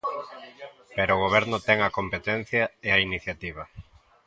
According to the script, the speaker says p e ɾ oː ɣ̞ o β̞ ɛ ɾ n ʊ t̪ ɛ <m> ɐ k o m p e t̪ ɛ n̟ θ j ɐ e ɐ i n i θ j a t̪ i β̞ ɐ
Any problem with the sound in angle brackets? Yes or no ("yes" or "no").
yes